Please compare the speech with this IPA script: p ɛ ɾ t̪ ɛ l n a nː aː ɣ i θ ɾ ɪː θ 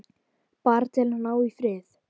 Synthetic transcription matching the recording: p a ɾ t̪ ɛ l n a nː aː w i f ɾ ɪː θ